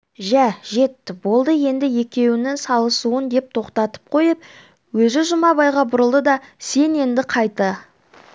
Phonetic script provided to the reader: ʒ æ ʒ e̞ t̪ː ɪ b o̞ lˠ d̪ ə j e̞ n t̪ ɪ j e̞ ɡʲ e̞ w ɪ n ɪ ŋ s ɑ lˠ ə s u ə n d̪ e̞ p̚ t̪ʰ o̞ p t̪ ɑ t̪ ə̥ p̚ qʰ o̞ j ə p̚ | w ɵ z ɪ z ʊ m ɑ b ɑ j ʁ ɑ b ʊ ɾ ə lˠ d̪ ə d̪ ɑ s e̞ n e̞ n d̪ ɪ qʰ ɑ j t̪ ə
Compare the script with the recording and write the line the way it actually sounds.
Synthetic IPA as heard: ʒ æ ʒ e̞ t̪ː ɪ b o̞ lˠ d̪ ə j e̞ n d̪ ɪ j e̞ kʲ e̞ w ɪ n ɪ ŋ s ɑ lˠ ə s u ə n d̪ e̞ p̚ t̪ʰ o̞ q t̪ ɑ t̪ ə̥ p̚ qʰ o̞ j ə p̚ | w ɵ z ɪ ʒ ʊ m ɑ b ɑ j ʁ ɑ b ʊ ɾ ə lˠ d̪ ə d̪ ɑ s e̞ n e̞ n d̪ ɪ qʰ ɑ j t̪ ə